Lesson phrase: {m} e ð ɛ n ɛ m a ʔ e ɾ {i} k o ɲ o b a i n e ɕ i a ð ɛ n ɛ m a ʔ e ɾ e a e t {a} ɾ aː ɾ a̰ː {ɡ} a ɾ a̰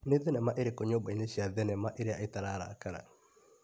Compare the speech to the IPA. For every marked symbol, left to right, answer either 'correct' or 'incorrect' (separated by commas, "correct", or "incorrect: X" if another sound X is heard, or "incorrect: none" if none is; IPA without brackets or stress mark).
incorrect: n, incorrect: e, correct, incorrect: k